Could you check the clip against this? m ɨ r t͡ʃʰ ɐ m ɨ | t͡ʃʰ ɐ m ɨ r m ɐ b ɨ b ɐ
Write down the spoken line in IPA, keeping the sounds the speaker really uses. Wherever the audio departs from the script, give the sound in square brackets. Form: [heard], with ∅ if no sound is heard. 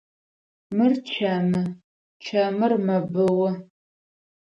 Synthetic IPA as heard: m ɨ r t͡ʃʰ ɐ m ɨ | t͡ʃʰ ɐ m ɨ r m ɐ b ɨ [w] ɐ